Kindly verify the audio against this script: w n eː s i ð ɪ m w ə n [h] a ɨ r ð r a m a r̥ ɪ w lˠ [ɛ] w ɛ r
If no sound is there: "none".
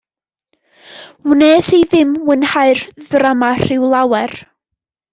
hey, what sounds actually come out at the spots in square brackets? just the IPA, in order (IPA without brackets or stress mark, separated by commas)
h, a